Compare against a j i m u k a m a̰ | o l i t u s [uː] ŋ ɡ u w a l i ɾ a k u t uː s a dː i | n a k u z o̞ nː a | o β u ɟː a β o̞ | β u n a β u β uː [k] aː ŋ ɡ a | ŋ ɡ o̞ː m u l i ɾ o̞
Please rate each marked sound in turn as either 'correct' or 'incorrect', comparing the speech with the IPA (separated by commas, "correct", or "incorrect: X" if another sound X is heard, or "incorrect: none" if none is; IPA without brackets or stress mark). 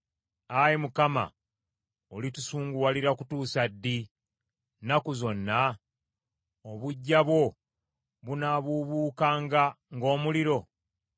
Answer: correct, correct